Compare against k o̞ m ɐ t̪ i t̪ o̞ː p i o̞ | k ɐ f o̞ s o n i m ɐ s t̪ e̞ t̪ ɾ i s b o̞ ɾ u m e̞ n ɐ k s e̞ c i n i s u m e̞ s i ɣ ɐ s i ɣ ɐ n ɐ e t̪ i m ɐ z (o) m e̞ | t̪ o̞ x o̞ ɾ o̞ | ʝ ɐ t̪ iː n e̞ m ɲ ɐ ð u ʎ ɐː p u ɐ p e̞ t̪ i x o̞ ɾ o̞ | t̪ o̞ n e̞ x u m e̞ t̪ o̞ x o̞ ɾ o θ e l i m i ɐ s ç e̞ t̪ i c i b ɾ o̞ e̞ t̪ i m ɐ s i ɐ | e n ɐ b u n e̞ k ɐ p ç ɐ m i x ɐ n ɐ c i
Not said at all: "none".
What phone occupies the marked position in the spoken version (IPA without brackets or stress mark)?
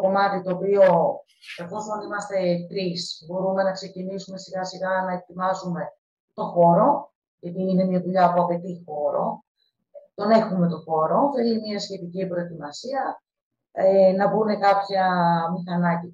u